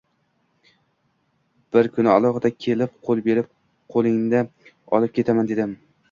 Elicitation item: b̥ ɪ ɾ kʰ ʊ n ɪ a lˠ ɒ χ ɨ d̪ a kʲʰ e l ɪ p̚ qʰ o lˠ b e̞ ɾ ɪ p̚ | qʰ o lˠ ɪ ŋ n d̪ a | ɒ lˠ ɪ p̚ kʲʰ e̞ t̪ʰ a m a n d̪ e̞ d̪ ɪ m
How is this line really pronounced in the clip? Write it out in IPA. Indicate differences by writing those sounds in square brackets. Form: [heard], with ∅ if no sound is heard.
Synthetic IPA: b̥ ɪ ɾ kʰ ʊ n ɪ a lˠ ɒ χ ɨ d̪ a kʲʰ e l ɪ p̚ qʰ o lˠ b e̞ ɾ ɪ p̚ | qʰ o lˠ ɪ ŋ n d̪ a | ɒ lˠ ɪ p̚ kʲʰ e̞ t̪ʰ a m a n d̪ e̞ d̪ ɪ m